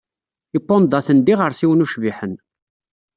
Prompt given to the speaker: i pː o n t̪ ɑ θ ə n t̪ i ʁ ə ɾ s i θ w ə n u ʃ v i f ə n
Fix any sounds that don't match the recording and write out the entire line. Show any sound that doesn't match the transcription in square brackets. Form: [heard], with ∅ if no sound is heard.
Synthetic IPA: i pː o n [d̪] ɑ θ ə n [d̪] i ʁ ə ɾ s i [∅] w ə n u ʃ v i [ħ] ə n